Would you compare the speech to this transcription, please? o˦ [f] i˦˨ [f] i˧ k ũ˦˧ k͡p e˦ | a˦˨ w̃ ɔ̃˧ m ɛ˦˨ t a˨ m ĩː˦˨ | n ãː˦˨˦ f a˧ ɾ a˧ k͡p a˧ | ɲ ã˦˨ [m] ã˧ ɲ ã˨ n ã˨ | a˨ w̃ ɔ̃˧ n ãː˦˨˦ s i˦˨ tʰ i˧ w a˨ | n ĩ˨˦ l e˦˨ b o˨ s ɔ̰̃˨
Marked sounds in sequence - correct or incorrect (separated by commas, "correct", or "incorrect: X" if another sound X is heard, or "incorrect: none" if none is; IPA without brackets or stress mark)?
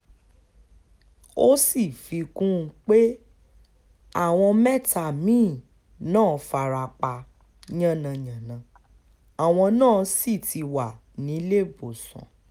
incorrect: s, correct, incorrect: n